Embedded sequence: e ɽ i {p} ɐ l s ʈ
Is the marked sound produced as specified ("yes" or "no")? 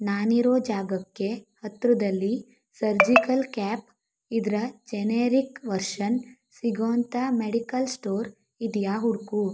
no